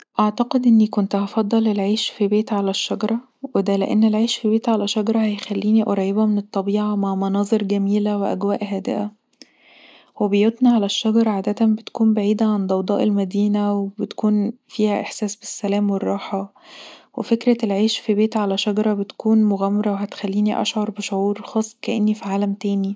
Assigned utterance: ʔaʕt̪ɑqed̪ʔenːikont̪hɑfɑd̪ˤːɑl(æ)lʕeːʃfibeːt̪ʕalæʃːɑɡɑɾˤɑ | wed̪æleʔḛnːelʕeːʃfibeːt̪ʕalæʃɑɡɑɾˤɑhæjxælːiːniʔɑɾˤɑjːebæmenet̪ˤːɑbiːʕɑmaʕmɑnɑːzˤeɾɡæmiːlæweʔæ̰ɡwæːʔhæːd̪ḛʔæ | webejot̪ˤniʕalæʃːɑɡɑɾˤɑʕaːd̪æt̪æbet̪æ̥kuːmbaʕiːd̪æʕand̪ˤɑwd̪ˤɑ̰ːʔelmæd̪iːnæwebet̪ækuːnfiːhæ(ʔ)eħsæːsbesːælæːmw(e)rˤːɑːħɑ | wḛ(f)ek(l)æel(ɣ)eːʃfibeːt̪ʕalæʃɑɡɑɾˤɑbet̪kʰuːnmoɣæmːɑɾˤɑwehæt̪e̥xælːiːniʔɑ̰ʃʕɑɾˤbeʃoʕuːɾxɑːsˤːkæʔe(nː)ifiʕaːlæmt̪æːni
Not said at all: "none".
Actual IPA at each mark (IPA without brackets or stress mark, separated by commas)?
e, ʔ, e, f, ɾ, ʕ, nː